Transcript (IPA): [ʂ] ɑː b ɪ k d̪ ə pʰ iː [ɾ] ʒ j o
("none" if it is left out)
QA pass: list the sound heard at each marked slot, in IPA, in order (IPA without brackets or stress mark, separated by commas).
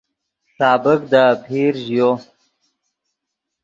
s, ɾ